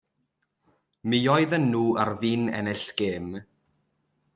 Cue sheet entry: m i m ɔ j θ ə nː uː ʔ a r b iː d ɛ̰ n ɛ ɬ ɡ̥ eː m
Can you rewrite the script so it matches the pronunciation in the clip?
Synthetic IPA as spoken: m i ɔ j ð ə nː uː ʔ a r v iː n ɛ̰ n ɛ ɬ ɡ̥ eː m